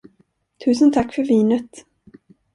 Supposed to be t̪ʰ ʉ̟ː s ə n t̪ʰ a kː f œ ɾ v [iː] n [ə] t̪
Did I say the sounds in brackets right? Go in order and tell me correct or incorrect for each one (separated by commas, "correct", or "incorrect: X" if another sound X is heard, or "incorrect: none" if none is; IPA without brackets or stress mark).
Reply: correct, correct